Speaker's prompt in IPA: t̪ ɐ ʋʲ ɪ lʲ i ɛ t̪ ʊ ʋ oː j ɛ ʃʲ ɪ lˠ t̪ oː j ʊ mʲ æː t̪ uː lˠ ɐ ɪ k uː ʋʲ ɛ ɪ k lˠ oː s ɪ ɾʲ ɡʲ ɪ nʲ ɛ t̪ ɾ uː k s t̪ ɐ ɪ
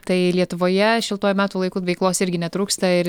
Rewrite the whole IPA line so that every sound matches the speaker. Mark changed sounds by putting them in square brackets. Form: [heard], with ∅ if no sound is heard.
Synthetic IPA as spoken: t̪ ɐ [∅] ɪ lʲ i ɛ t̪ ʊ ʋ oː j ɛ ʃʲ ɪ lˠ t̪ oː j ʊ mʲ æː t̪ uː lˠ ɐ ɪ k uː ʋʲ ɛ ɪ k lˠ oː s ɪ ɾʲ ɡʲ ɪ nʲ ɛ t̪ ɾ uː k s t̪ ɐ ɪ